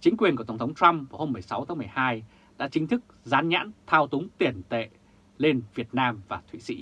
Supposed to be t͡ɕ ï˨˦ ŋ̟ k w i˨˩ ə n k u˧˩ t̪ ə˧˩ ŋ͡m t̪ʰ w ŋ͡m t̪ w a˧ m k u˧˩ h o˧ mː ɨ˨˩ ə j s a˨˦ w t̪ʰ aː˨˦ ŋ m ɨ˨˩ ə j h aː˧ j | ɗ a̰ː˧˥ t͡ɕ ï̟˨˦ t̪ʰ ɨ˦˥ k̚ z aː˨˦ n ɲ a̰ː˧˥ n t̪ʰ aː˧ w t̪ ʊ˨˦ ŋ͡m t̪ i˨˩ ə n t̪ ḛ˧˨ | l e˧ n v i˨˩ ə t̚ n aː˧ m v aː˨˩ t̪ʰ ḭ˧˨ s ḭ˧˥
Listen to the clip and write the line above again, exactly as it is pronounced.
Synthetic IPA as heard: t͡ɕ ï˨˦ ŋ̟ k w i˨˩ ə n k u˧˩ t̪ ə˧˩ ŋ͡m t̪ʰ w ŋ͡m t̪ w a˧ m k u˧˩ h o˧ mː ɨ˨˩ ə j s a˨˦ w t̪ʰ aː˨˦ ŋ m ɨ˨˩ ə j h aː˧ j | ɗ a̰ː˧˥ t͡ɕ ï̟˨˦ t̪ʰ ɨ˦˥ k̚ z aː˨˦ n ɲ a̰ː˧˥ n t̪ʰ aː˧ w t̪ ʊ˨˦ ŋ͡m t̪ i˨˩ ə n t̪ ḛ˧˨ | l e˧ n v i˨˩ ə t̚ n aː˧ m v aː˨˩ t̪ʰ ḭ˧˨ s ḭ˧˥